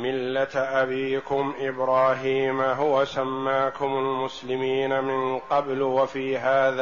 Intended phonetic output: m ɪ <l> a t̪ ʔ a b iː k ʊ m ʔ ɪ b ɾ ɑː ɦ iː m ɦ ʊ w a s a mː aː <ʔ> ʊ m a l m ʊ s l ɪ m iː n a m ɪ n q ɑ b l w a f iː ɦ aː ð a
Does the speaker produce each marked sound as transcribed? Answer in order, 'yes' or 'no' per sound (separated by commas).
no, no